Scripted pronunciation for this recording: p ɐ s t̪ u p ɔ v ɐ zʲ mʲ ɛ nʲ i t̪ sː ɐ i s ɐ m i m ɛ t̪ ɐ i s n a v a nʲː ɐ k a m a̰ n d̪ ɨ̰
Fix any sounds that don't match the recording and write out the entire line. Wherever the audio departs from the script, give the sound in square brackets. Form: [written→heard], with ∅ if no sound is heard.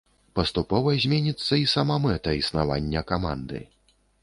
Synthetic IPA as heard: p ɐ s t̪ u p ɔ v ɐ zʲ mʲ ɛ nʲ i t̪ sː ɐ i s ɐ m [i→a] m ɛ t̪ ɐ i s n a v a nʲː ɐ k a m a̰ n d̪ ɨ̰